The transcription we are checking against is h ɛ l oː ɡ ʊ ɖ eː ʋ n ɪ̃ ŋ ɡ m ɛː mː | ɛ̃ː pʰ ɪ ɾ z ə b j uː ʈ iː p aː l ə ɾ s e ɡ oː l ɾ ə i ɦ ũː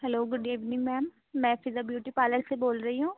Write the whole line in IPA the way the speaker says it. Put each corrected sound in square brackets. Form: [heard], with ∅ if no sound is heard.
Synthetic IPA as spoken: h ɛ l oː ɡ ʊ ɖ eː ʋ n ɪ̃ ŋ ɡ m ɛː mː | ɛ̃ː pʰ ɪ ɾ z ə b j uː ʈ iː p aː l ə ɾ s e [b] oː l ɾ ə i ɦ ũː

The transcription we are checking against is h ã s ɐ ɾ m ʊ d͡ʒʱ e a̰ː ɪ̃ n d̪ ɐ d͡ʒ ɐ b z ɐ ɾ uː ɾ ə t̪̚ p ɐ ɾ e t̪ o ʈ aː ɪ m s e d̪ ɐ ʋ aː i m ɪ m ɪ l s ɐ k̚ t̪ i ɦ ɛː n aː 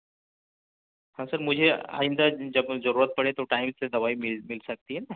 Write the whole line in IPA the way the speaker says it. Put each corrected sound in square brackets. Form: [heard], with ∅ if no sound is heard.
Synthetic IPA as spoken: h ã s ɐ ɾ m ʊ d͡ʒʱ e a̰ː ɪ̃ n d̪ [a] d͡ʒ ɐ b z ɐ ɾ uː ɾ ə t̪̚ p ɐ [ɽ] e t̪ o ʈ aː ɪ m s e d̪ ɐ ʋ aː i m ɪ m ɪ l s ɐ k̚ t̪ i ɦ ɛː n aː

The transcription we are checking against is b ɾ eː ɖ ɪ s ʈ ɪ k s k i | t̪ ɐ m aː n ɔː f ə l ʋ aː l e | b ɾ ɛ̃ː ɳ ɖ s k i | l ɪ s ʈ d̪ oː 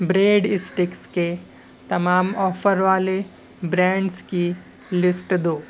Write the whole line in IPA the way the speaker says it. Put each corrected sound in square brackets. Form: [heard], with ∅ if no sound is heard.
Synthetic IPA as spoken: b ɾ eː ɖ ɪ s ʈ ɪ k s k [e] | t̪ ɐ m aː [m] ɔː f ə [ɾ] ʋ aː l e | b ɾ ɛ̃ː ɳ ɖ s k i | l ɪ s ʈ d̪ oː

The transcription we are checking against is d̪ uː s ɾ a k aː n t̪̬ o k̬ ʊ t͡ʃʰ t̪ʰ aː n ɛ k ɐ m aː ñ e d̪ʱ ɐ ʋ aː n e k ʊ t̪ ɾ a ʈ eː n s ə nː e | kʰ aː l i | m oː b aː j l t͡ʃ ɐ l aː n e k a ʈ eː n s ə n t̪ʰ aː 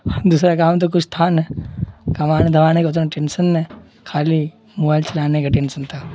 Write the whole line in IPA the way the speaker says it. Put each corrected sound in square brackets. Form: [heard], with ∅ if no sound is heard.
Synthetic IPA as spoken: d̪ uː s ɾ a k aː [m] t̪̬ o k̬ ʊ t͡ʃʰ t̪ʰ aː n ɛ k ɐ m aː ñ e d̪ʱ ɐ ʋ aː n e k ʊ t̪ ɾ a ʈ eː n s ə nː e | kʰ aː l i | m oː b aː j l t͡ʃ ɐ l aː n e k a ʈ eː n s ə n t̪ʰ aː

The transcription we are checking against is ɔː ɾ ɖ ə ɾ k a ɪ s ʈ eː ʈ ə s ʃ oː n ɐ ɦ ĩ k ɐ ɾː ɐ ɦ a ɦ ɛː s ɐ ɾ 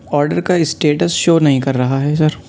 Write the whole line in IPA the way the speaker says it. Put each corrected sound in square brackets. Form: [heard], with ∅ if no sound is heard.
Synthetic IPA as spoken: ɔː ɾ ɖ ə ɾ k a ɪ s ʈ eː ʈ ə s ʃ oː n ɐ ɦ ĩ k ɐ ɾː ɐ ɦ a ɦ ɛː s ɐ ɾ

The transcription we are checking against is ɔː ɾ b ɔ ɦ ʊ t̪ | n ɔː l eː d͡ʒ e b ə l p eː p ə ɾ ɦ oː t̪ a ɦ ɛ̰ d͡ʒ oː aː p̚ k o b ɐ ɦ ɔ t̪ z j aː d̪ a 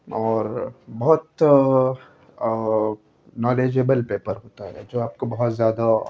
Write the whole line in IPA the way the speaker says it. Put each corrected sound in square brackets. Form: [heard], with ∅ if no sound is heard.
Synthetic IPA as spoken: ɔː ɾ b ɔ ɦ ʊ t̪ | n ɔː l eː d͡ʒ e b ə l p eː p ə ɾ ɦ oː t̪ a ɦ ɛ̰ d͡ʒ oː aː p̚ k o b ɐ ɦ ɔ t̪ z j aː d̪ a

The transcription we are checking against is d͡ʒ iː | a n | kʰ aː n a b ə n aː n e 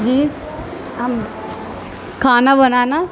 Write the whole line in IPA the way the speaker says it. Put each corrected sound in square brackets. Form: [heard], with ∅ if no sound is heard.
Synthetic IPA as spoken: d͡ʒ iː | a [m] | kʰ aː n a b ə n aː n [a]

